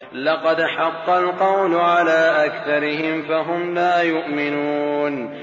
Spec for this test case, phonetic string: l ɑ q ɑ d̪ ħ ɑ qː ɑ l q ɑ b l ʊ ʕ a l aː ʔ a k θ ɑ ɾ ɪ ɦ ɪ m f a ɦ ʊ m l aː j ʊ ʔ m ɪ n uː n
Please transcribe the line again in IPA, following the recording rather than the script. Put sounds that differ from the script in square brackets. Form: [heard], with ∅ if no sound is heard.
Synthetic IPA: l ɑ q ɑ d̪ ħ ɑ qː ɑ l q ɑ [w] l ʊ ʕ a l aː ʔ a k θ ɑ ɾ ɪ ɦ ɪ m f a ɦ ʊ m l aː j ʊ ʔ m ɪ n uː n